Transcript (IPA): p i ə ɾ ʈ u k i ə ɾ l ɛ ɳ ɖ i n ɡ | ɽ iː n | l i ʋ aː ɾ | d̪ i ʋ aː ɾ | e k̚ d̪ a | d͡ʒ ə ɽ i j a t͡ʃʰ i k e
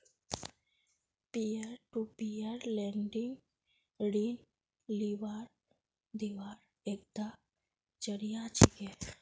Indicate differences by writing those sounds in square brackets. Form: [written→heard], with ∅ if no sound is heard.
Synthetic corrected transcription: p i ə ɾ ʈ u [k→p] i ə ɾ l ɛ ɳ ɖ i [n→ŋ] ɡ | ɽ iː n | l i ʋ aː ɾ | d̪ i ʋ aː ɾ | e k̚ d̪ a | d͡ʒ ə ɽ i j a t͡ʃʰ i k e